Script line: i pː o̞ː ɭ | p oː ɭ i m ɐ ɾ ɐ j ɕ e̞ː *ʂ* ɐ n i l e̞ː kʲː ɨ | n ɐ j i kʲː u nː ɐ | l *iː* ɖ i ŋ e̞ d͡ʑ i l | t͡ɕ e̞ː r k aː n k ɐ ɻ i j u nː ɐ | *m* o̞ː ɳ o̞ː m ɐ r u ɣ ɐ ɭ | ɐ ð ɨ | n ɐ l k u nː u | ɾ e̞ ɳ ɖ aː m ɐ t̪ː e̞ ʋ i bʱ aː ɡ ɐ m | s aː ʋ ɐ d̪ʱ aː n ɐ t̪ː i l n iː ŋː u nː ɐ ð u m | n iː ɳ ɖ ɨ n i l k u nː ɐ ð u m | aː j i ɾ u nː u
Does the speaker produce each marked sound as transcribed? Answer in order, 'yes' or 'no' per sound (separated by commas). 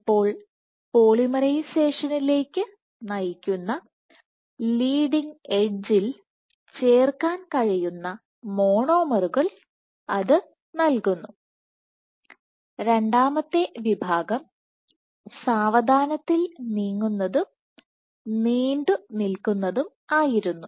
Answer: yes, yes, yes